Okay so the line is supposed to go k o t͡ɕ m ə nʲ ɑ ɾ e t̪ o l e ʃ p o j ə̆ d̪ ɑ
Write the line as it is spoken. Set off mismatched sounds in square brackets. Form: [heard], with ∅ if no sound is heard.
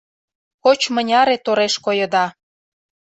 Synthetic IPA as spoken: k o t͡ɕ m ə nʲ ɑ ɾ e t̪ o [ɾ] e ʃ [k] o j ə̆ d̪ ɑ